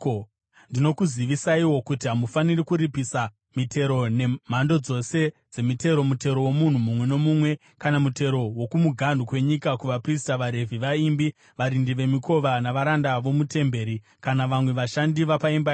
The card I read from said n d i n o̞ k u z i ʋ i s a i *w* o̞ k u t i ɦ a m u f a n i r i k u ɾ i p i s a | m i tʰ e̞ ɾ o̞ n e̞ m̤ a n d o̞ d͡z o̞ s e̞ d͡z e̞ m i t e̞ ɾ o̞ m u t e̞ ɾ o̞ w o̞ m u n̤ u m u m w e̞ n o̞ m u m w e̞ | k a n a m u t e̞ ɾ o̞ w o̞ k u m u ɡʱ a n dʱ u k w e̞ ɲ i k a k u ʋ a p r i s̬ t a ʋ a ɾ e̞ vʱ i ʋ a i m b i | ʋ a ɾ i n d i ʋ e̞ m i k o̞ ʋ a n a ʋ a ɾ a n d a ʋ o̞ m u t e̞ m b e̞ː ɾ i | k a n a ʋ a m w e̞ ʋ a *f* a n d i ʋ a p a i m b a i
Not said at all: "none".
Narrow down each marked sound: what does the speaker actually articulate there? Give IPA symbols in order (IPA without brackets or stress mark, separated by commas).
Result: w, ʃ